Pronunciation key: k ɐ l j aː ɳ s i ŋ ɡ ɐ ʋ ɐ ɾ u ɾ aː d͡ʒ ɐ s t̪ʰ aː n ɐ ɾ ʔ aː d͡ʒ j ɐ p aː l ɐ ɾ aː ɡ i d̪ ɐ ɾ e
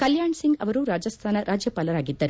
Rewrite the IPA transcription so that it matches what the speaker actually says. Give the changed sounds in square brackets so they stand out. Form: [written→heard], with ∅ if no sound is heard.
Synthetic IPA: k ɐ l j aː ɳ s i ŋ ɡ ɐ ʋ ɐ ɾ u ɾ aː d͡ʒ ɐ s t̪ʰ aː n ɐ ɾ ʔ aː d͡ʒ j ɐ p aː l ɐ ɾ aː ɡ i [d̪→d̪ː] ɐ ɾ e